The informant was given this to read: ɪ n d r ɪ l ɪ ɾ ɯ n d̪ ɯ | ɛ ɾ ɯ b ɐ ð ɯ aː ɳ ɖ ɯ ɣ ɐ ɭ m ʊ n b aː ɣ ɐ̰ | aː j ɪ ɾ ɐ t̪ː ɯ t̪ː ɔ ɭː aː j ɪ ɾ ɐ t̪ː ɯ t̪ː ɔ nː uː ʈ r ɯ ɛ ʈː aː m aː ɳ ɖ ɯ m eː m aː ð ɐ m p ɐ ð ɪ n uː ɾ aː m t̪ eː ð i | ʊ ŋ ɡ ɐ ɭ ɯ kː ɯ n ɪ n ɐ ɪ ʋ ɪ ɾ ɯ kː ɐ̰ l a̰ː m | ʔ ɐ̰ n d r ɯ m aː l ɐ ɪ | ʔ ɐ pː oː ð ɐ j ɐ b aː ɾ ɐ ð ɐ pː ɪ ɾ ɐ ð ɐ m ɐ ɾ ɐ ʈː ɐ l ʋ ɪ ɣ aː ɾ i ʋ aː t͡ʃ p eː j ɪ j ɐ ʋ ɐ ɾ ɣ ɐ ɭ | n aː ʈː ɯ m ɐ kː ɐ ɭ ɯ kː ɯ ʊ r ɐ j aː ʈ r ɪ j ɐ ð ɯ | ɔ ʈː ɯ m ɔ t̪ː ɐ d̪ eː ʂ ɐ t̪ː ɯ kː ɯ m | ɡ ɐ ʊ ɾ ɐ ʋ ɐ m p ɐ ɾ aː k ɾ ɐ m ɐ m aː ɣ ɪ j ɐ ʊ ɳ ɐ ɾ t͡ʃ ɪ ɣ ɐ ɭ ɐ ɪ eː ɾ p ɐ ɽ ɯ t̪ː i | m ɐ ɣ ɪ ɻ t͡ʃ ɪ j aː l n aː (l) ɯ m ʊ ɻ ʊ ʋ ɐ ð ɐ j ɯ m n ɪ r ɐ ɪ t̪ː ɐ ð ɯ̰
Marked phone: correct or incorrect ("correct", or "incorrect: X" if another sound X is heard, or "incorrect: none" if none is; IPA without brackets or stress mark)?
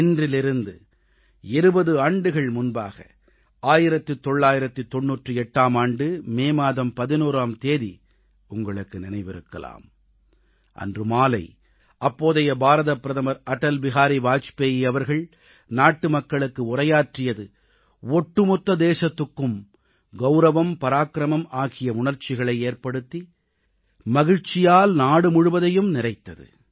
incorrect: ɽ